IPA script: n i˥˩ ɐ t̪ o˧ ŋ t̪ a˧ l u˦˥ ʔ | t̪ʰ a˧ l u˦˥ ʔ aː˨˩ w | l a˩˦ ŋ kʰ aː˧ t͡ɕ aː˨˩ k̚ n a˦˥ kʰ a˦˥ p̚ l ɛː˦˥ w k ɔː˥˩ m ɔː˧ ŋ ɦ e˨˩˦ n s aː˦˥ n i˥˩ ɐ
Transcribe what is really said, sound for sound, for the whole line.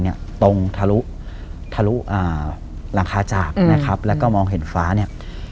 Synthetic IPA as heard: n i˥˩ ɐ t̪ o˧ ŋ t̪ʰ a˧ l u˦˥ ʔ | t̪ʰ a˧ l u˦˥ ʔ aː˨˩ | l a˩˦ ŋ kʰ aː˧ t͡ɕ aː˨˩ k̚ n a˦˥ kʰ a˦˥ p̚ l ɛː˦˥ w k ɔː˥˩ m ɔː˧ ŋ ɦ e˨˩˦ n f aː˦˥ n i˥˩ ɐ